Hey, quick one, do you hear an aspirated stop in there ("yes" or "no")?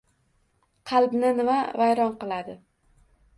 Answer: yes